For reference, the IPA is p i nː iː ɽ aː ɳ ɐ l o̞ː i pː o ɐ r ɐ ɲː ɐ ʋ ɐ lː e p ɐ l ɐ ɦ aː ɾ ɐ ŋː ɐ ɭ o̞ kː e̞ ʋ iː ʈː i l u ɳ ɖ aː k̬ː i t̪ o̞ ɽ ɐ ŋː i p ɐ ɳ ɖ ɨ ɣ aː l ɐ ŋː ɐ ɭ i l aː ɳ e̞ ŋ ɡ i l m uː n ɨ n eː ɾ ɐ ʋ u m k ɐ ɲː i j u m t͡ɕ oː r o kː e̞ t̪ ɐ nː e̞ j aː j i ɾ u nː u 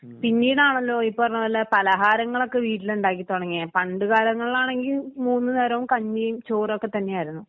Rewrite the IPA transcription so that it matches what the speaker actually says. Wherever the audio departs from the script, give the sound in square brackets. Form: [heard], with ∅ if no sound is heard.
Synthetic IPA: p i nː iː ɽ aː ɳ ɐ [lː] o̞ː i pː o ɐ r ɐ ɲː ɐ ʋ ɐ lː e p ɐ l ɐ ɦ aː ɾ ɐ ŋː ɐ ɭ o̞ kː e̞ ʋ iː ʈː i l u ɳ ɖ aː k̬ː i t̪ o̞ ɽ ɐ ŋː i p ɐ ɳ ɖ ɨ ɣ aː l ɐ ŋː ɐ ɭ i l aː ɳ e̞ ŋ ɡ i l m uː [nː] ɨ n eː ɾ ɐ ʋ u m k ɐ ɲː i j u m t͡ɕ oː r o kː e̞ t̪ ɐ nː e̞ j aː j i ɾ u nː u